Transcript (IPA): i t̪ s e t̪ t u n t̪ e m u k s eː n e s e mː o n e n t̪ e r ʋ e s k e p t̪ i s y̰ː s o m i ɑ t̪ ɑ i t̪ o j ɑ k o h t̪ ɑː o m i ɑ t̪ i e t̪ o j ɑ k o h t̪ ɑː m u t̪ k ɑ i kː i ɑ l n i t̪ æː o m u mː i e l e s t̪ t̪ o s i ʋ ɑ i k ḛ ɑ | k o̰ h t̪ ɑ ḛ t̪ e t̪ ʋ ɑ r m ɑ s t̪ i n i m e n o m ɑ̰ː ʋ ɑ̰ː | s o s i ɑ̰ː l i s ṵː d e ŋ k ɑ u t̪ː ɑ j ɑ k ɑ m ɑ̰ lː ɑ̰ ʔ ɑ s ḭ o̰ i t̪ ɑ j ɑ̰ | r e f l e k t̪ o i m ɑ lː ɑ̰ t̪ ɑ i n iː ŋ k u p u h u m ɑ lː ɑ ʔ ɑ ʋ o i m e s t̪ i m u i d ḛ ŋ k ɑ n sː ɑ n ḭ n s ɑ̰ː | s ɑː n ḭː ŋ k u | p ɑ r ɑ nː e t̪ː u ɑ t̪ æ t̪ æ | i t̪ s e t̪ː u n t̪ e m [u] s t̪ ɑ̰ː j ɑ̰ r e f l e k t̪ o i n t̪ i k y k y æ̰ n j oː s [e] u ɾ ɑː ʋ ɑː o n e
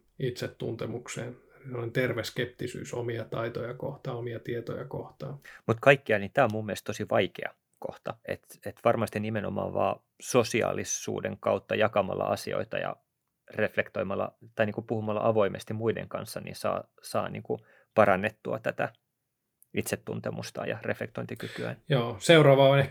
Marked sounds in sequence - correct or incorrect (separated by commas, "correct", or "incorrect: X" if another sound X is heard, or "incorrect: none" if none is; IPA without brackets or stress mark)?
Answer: correct, correct